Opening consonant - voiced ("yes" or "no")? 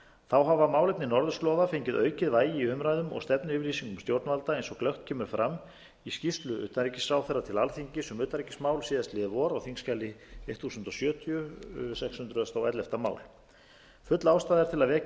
no